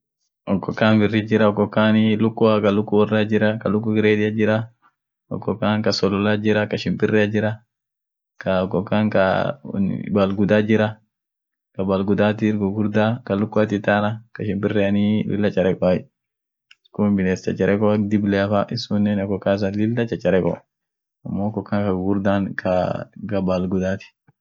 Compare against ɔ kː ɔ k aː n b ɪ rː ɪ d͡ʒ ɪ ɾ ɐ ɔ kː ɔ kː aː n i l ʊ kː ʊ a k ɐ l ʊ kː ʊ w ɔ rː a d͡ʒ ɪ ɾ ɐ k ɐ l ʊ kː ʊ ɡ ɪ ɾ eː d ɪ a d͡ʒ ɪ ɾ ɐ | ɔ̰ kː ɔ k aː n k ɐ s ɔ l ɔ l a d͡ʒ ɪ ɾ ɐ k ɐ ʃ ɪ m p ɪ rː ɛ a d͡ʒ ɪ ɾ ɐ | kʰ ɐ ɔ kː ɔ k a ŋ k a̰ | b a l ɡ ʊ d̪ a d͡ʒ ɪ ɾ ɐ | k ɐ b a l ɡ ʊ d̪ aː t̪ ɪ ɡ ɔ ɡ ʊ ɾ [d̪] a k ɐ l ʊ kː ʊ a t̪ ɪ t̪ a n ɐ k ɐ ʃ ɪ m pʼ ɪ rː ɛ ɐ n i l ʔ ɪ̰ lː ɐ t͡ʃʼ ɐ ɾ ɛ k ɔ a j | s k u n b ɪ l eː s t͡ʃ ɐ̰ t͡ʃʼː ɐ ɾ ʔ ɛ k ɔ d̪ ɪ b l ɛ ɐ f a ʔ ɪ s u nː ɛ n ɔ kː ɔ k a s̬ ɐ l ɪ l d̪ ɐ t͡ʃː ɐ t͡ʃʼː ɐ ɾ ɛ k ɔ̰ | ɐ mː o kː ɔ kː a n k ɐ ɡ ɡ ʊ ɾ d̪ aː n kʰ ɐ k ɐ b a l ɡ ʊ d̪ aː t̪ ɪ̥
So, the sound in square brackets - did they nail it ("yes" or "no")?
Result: yes